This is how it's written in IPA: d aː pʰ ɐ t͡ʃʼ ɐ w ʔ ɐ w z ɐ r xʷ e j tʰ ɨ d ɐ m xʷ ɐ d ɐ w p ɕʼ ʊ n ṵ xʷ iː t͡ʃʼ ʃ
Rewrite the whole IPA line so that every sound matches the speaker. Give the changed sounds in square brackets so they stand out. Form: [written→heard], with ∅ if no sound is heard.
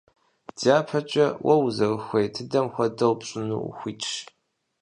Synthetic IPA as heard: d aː pʰ ɐ t͡ʃʼ ɐ w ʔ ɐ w z ɐ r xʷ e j tʰ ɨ d ɐ m xʷ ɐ d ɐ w p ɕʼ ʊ n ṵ xʷ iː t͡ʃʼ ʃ